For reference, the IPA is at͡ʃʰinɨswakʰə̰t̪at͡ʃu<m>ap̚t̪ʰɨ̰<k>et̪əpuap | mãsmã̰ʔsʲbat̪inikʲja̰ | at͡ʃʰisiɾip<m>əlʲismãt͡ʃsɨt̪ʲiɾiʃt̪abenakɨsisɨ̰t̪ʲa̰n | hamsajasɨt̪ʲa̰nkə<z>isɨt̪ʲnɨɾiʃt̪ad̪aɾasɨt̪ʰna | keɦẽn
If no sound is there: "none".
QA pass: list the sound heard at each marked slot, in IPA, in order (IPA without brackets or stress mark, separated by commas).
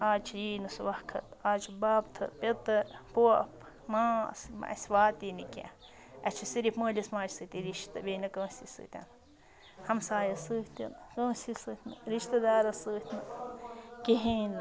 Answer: b, p, m, s